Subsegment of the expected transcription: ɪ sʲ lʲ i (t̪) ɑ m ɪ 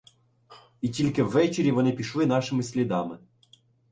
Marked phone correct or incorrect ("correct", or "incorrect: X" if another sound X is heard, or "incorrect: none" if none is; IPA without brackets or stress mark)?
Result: incorrect: d̪